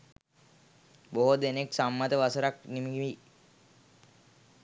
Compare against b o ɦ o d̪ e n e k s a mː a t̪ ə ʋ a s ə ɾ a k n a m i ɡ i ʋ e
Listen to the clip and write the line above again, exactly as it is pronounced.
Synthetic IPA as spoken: b o ɦ o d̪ e n e k s a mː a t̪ ə ʋ a s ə ɾ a k n i m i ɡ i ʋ i